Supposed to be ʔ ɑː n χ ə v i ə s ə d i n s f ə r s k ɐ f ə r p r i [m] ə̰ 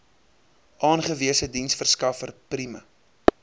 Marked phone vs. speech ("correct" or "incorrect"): correct